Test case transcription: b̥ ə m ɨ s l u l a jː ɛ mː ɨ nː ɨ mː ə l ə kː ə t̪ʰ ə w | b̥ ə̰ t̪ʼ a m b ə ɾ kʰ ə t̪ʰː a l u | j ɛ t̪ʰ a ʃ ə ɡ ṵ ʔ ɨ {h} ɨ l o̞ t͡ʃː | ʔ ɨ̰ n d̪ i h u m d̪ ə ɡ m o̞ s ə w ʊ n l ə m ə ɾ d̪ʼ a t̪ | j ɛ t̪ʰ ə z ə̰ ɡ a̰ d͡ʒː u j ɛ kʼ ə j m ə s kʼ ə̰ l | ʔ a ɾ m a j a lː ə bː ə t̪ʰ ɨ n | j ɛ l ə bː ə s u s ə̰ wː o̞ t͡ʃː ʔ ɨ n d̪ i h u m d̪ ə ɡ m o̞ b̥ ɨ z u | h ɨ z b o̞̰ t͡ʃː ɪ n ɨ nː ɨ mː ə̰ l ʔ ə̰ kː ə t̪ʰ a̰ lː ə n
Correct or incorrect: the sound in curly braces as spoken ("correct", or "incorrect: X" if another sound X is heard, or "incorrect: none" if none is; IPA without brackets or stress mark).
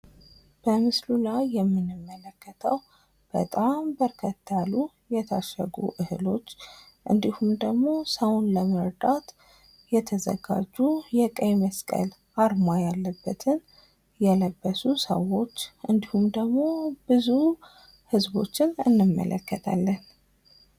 correct